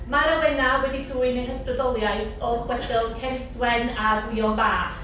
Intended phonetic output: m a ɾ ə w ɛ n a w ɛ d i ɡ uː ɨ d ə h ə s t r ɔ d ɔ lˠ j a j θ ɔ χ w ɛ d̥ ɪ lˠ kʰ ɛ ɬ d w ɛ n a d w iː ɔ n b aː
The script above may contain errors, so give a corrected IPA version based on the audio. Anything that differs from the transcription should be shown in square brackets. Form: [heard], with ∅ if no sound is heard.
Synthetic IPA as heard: m a ɾ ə w ɛ n a w ɛ d i [d] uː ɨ [n] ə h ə s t r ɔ d ɔ lˠ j a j θ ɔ χ w ɛ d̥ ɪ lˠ kʰ ɛ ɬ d w ɛ n a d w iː ɔ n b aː